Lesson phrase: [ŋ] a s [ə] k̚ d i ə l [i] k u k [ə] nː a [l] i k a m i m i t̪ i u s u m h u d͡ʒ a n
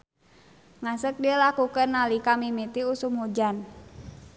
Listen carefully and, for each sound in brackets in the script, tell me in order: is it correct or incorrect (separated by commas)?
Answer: correct, correct, incorrect, correct, correct